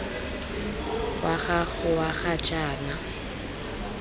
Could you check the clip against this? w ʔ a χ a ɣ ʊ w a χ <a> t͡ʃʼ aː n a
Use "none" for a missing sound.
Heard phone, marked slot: a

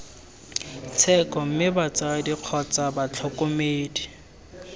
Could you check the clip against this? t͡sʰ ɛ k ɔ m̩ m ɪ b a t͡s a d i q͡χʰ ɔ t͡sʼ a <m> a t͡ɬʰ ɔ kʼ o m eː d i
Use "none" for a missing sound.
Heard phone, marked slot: b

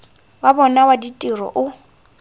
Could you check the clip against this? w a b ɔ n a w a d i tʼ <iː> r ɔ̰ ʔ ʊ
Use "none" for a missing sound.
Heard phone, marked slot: i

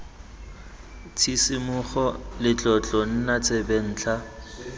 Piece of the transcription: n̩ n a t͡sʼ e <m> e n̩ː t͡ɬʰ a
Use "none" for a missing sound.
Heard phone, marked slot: b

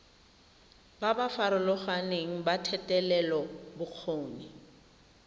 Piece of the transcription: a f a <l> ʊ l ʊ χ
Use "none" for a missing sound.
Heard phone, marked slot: ɾ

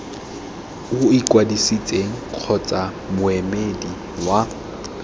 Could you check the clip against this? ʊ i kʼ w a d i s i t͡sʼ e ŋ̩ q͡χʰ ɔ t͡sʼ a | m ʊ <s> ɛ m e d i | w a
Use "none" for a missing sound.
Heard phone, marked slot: none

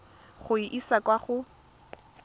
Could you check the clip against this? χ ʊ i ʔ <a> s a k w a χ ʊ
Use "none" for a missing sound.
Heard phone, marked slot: i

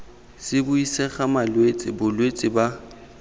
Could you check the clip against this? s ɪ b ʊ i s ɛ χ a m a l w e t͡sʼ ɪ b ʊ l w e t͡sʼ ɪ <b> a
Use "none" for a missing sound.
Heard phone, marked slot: b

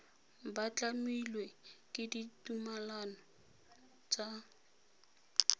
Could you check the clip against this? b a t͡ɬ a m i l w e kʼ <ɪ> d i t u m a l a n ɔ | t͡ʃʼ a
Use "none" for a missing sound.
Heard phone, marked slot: ɪ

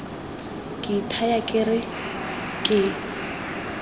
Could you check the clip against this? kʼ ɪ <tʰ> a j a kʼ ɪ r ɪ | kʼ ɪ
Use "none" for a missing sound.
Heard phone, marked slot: tʰ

